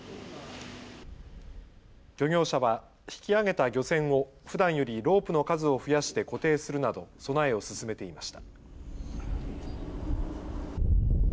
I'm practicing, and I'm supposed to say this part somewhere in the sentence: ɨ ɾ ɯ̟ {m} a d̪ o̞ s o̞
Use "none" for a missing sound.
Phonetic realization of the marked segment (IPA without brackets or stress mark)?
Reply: n